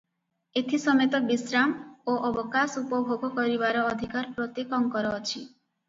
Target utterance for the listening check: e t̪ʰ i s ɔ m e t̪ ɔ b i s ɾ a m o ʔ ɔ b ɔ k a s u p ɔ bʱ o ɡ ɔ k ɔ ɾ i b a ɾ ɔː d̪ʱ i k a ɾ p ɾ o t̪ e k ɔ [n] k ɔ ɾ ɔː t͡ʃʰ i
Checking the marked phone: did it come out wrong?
yes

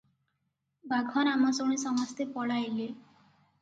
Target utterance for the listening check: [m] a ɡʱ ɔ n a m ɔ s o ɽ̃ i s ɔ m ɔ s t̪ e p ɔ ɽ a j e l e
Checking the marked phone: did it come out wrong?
yes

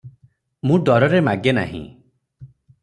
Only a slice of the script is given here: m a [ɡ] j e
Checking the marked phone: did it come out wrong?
no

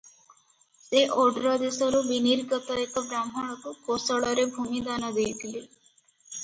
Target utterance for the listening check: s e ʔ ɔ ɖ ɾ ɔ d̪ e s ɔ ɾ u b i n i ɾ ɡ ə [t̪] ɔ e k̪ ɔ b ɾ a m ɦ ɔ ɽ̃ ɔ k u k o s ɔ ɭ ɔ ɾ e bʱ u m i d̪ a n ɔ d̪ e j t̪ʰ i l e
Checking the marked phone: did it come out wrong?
no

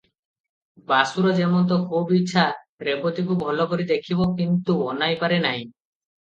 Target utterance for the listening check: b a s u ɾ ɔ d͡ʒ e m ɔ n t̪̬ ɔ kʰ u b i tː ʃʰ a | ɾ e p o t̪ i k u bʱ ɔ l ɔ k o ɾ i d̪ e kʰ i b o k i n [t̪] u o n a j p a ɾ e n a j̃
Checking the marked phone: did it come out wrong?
no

